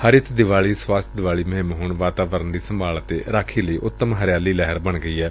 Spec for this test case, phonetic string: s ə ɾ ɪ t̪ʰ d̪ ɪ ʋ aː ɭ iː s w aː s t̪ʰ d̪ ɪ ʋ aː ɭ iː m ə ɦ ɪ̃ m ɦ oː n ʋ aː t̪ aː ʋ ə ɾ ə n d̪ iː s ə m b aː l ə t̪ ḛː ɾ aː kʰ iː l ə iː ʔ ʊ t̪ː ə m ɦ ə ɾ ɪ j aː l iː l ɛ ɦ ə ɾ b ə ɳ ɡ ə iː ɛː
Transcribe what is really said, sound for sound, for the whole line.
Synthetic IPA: h ə ɾ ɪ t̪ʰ d̪ ɪ ʋ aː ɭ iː s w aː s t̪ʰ d̪ ɪ ʋ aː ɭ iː m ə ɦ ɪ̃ m ɦ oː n ʋ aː t̪ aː ʋ ə ɾ ə n d̪ iː s ə m b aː l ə t̪ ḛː ɾ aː kʰ iː l ə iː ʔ ʊ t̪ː ə m ɦ ə ɾ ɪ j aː l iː l ɛ ɦ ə ɾ b ə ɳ ɡ ə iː ɛː